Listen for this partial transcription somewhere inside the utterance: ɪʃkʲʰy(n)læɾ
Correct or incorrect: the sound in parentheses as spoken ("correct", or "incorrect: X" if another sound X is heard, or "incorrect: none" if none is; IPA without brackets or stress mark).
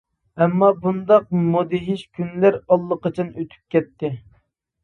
correct